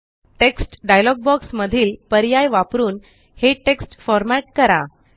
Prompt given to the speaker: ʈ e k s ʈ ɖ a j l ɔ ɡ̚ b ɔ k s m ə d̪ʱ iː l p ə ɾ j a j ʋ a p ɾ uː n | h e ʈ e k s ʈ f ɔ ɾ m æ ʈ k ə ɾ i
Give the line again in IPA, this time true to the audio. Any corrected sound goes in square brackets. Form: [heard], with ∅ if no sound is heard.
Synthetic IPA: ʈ e k s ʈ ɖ a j l ɔ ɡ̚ b ɔ k s m ə d̪ʱ iː l p ə ɾ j a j ʋ a p ɾ uː n | h e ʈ e k s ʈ f ɔ ɾ m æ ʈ k ə ɾ [a]